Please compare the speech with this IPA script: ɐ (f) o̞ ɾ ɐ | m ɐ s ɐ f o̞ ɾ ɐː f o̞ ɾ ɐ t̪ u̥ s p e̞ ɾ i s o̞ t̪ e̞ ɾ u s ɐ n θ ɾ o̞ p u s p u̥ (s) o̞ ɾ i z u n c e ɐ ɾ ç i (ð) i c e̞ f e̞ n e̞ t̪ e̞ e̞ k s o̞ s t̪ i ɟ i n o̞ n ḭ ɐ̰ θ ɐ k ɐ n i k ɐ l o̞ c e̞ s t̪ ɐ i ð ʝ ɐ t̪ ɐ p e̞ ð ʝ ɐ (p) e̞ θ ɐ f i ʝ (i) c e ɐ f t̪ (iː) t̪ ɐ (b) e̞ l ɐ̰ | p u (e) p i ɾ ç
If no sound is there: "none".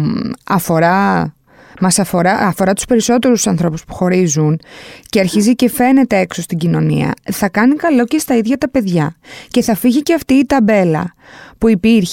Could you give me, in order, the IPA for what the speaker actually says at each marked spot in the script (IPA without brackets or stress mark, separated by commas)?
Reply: f, x, z, c, i, iː, b, i